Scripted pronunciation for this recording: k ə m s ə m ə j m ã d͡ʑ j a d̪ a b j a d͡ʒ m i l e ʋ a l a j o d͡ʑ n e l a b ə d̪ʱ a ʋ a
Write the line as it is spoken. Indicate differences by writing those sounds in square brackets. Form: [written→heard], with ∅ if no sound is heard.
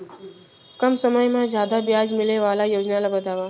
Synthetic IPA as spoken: k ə m s ə m ə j m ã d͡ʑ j a d̪ a b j a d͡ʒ m i l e ʋ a l a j o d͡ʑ n [e→a] l a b ə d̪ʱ a ʋ a